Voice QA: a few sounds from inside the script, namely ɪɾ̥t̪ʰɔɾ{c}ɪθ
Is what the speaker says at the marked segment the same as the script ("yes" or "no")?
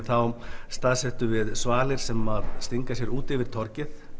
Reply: yes